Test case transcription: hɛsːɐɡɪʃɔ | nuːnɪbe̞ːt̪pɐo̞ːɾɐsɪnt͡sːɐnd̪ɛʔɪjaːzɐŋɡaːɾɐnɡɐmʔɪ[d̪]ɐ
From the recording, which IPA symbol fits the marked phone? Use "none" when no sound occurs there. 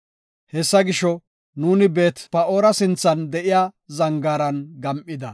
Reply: d̪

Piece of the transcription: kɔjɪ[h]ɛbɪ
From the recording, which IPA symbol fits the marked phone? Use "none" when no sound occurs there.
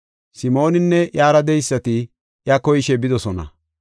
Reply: ʃ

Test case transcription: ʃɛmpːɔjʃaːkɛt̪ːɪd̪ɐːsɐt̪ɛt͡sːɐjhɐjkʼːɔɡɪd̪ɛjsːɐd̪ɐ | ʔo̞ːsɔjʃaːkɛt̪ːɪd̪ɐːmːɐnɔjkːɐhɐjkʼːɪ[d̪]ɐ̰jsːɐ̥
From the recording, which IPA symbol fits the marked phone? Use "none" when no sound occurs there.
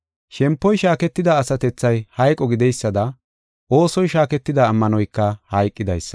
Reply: d̪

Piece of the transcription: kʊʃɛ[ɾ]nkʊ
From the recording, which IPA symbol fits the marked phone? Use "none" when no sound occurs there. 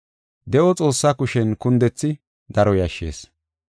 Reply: none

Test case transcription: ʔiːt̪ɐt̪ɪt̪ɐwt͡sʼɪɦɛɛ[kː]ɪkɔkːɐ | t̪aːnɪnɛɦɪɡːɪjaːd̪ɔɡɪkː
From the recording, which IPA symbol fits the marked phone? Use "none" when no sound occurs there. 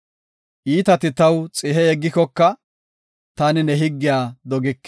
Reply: ɡː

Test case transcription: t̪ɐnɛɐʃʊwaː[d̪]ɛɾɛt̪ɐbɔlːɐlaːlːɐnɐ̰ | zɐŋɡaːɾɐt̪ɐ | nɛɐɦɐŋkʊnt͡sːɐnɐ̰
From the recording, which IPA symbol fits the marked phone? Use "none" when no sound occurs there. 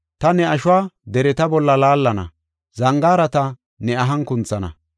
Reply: d̪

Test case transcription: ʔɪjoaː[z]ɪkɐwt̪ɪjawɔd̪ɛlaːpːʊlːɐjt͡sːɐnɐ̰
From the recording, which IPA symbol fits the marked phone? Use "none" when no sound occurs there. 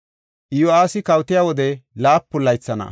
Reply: s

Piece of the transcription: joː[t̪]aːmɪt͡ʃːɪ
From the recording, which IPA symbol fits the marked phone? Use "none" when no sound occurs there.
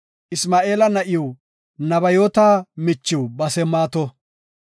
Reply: t̪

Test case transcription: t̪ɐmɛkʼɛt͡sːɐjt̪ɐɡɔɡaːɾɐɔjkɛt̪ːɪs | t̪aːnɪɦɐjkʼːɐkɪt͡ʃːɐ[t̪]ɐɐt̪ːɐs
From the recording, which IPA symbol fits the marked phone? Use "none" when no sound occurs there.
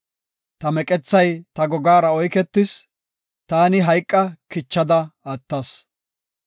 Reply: d̪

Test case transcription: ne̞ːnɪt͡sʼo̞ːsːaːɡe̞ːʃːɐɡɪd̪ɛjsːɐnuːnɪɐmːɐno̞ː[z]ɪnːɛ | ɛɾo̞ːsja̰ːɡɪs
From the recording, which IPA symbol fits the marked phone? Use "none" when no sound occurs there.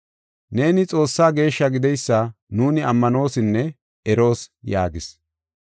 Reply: s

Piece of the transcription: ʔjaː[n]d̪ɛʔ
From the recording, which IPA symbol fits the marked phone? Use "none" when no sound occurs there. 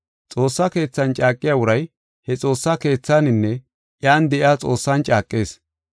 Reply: n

